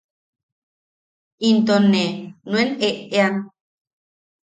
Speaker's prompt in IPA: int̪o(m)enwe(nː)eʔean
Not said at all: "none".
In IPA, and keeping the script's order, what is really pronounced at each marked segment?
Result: n, n

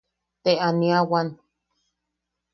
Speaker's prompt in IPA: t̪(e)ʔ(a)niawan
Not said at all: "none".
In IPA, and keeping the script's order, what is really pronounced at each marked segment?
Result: e, a

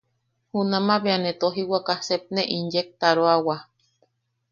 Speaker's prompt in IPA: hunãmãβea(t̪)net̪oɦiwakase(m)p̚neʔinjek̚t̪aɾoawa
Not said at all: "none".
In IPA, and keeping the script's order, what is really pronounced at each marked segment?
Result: none, none

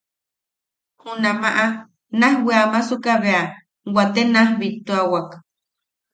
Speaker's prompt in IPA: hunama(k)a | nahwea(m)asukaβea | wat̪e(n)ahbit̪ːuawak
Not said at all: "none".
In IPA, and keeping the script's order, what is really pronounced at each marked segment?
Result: ʔ, m, n

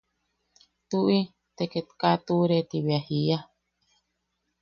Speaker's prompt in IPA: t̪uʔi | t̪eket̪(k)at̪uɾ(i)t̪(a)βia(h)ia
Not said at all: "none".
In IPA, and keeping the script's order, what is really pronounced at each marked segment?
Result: k, e, i, h

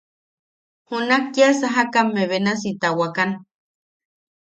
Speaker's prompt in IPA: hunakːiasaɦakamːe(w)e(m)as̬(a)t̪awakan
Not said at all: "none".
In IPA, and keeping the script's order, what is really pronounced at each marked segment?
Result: β, n, i

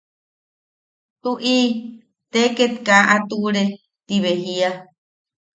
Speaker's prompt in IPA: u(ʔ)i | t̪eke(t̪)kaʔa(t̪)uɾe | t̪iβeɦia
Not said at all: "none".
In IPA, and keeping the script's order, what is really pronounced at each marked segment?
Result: ʔ, t̪, t̪

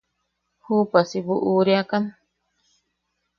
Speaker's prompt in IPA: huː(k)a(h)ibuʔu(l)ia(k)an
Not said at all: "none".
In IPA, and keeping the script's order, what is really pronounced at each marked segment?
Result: p, s, ɾ, k

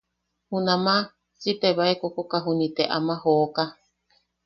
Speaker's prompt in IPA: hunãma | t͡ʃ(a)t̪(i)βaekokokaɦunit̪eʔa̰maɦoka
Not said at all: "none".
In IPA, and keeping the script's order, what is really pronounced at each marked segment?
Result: i, e

